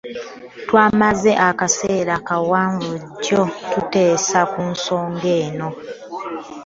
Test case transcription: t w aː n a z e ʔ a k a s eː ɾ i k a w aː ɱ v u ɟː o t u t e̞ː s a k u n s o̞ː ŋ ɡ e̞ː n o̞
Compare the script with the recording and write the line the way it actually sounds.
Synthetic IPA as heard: t w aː m a z e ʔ a k a s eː ɾ a k a w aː ɱ v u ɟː o t u t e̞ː s a k u n s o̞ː ŋ ɡ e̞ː n o̞